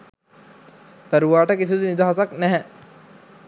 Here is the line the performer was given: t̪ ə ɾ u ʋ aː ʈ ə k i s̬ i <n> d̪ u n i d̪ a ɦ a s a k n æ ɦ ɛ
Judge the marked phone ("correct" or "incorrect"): incorrect